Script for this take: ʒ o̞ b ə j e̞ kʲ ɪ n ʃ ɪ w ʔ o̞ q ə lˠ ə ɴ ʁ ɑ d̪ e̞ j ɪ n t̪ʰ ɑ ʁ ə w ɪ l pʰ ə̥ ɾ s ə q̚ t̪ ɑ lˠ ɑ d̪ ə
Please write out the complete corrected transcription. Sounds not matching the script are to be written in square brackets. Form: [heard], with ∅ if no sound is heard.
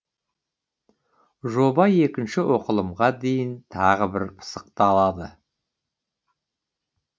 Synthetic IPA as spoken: ʒ o̞ b [ɑ] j e̞ kʲ ɪ n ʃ ɪ w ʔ o̞ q ə lˠ ə [m] ʁ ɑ d̪ e̞ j ɪ n t̪ʰ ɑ ʁ ə [b] ɪ [ɾ] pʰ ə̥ [∅] s ə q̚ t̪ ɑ lˠ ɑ d̪ ə

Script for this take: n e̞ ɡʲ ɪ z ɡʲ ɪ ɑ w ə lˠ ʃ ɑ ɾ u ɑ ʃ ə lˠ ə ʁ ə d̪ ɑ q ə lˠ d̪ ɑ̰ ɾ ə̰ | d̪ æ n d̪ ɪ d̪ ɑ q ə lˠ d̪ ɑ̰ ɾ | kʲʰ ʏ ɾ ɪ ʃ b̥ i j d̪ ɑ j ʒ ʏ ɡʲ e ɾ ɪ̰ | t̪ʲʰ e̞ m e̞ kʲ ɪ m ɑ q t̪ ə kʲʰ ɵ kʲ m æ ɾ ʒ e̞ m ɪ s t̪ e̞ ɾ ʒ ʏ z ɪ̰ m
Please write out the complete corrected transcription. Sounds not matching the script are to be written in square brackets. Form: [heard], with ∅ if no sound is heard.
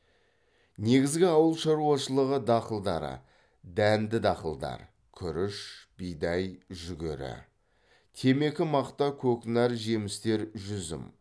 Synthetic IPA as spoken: n e̞ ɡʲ ɪ z ɡʲ ɪ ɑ w ə lˠ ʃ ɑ ɾ u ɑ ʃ ə lˠ ə ʁ ə d̪ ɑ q ə lˠ d̪ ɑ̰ ɾ ə̰ | d̪ æ n d̪ ɪ d̪ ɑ q ə lˠ d̪ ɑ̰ ɾ | kʲʰ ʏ ɾ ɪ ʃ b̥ i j d̪ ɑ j ʒ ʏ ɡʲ e ɾ ɪ̰ | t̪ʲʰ e̞ m e̞ kʲ ɪ m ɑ q t̪ [ɑ] kʲʰ ɵ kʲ [n] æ ɾ ʒ e̞ m ɪ s t̪ e̞ ɾ ʒ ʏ z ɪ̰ m

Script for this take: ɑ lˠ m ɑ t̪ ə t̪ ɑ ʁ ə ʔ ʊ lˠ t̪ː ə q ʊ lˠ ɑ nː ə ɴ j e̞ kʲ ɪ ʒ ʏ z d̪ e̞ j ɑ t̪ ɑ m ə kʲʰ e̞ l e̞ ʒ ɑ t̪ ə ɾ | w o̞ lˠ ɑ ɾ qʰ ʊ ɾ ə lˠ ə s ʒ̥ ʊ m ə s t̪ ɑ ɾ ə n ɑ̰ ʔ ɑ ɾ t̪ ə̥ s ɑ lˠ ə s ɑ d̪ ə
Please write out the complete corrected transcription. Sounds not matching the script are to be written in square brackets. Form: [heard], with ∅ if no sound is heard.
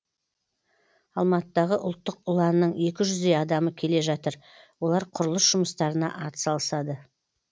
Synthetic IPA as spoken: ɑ lˠ m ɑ t̪ ə [d̪] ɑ ʁ ə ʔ ʊ lˠ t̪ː ə q ʊ lˠ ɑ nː ə ɴ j e̞ kʲ ɪ ʒ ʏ z d̪ e̞ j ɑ [d̪] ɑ m ə kʲʰ e̞ l e̞ ʒ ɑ t̪ ə ɾ | w o̞ lˠ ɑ ɾ qʰ ʊ ɾ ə lˠ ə s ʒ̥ ʊ m ə s t̪ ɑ ɾ ə n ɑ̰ ʔ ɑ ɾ t̪ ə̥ s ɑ lˠ ə s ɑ d̪ ə

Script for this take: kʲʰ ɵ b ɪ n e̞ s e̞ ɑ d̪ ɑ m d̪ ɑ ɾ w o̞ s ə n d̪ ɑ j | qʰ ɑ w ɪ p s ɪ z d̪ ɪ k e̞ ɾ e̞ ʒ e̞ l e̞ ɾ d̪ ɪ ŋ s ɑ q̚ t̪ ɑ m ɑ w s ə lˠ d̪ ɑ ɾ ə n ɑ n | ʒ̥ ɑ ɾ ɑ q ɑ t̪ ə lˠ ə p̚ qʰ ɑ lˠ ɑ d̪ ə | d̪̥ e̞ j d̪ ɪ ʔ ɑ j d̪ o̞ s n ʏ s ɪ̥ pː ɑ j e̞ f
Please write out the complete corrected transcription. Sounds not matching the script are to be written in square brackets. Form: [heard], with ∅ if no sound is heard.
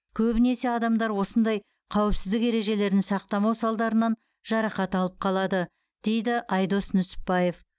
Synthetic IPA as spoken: kʲʰ ɵ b ɪ n e̞ s e̞ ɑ d̪ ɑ m d̪ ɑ ɾ w o̞ s ə n d̪ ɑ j | qʰ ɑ w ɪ p s ɪ z d̪ ɪ k e̞ ɾ e̞ ʒ e̞ l e̞ ɾ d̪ ɪ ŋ s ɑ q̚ t̪ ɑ m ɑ w s [ɑ] lˠ d̪ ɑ ɾ ə n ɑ n | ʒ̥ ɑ ɾ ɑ q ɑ t̪ [ɑ] lˠ ə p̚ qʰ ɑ lˠ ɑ d̪ ə | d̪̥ e̞ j d̪ ɪ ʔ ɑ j d̪ o̞ s n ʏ s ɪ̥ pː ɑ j e̞ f

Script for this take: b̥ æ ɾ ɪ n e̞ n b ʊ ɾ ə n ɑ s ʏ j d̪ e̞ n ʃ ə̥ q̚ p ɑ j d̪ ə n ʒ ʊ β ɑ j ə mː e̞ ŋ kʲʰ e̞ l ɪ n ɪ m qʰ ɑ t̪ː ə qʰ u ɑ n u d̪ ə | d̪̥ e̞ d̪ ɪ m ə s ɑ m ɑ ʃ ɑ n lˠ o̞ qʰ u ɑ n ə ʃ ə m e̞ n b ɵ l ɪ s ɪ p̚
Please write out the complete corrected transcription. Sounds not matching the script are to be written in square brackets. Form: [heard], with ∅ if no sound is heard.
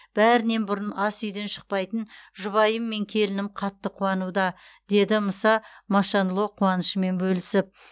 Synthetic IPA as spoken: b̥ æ ɾ ɪ n e̞ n b ʊ ɾ ə n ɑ s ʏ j d̪ e̞ n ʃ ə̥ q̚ p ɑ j [t̪] ə n ʒ ʊ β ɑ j ə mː e̞ ŋ kʲʰ e̞ l ɪ n ɪ m qʰ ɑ t̪ː ə qʰ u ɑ n u d̪ [ɑ] | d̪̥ e̞ d̪ ɪ m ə s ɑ m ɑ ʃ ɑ n lˠ o̞ qʰ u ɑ n ə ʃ ə m e̞ n b ɵ l ɪ s ɪ p̚

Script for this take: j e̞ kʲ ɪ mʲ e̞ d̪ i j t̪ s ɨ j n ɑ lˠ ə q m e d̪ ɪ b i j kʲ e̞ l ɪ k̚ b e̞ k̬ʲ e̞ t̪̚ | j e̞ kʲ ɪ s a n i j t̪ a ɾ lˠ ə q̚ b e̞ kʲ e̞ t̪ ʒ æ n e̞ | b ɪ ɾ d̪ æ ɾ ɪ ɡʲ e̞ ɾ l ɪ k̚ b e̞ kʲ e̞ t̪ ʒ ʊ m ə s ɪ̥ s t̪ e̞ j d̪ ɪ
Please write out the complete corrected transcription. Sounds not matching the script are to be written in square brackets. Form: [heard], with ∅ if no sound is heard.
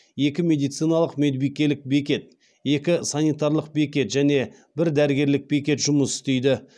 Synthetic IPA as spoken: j e̞ kʲ ɪ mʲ e̞ d̪ i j t̪ s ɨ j n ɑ lˠ ə q m e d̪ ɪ b i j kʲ e̞ l ɪ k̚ b e̞ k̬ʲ e̞ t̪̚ | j e̞ kʲ ɪ s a n i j t̪ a ɾ lˠ ə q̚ b e̞ kʲ e̞ t̪ ʒ æ n e̞ | b ɪ ɾ d̪ æ ɾ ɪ ɡʲ e̞ ɾ l ɪ k̚ b e̞ kʲ e̞ t̪ ʒ ʊ m ə s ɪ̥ s t̪ e̞ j d̪ ɪ

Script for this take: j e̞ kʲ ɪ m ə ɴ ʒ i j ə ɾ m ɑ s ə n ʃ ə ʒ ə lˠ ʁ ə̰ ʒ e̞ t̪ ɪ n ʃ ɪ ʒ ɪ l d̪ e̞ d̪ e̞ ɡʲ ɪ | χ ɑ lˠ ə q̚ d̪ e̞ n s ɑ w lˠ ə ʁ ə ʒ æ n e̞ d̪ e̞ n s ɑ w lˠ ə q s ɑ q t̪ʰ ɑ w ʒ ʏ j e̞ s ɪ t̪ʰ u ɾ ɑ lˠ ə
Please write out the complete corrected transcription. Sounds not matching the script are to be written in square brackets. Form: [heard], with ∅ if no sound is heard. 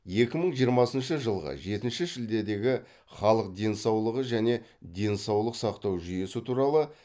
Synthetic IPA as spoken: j e̞ kʲ ɪ m ə ɴ ʒ i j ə ɾ m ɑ s ə n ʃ ə ʒ ə lˠ ʁ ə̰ ʒ e̞ t̪ ɪ n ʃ ɪ ʒ ɪ l d̪ e̞ d̪ e̞ ɡʲ ɪ | χ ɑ lˠ ə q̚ d̪ e̞ n s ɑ w lˠ ə ʁ ə ʒ æ n e̞ d̪ e̞ n s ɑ w lˠ ə q s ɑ q [t̪] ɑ w ʒ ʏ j e̞ s ɪ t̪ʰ u ɾ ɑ lˠ ə

